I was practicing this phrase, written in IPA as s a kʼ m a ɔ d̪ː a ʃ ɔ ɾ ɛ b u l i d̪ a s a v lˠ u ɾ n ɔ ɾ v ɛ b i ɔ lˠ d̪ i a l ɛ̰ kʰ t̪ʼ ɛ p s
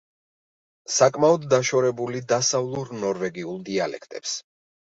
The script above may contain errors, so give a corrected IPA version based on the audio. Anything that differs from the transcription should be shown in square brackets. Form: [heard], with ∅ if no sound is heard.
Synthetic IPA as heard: s a kʼ m a ɔ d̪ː a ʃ ɔ ɾ ɛ b u l i d̪ a s a v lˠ u ɾ n ɔ ɾ v ɛ [ɡ] i [u] lˠ d̪ i a l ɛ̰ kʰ t̪ʼ ɛ p s